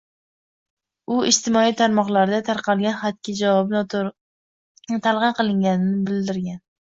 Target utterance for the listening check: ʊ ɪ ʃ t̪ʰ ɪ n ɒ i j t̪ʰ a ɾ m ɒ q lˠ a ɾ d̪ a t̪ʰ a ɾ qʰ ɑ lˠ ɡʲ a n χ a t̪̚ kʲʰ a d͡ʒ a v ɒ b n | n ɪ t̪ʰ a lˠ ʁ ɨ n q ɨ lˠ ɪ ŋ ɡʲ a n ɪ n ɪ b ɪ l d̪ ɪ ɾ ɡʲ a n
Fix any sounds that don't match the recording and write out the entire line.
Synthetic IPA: ʊ ɪ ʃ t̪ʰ ɪ m ɒ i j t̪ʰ a ɾ m ɒ q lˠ a ɾ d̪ a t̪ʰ a ɾ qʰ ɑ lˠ ɡʲ a n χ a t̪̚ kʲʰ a d͡ʒ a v ɒ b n | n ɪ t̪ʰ a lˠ ʁ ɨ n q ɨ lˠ ɪ ŋ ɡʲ a n ɪ n ɪ b ɪ l d̪ ɪ ɾ ɡʲ a n